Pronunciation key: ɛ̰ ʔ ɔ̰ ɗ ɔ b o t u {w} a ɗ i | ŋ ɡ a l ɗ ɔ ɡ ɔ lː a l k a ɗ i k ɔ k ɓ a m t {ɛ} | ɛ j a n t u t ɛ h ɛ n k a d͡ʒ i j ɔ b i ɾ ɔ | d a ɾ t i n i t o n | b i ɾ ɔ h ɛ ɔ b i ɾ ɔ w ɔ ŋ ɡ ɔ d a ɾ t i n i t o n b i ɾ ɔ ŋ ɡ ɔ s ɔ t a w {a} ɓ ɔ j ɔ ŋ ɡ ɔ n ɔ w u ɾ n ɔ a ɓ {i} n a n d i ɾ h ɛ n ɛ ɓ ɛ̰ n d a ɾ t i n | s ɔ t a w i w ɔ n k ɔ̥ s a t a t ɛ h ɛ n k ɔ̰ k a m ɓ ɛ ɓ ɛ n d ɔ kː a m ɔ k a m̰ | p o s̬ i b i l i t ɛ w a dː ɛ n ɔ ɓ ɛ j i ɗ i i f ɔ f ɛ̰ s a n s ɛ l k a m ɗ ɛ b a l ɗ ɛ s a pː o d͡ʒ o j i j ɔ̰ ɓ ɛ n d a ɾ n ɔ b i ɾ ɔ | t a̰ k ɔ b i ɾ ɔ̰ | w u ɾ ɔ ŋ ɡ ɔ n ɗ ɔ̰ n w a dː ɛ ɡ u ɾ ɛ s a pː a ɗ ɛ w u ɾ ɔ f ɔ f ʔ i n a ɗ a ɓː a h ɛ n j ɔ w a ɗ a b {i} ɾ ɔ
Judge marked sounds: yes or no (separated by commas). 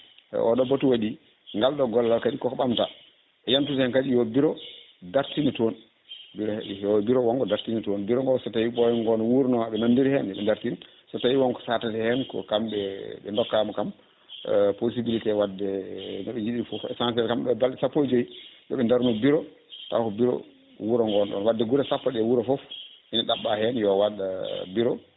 yes, no, no, no, yes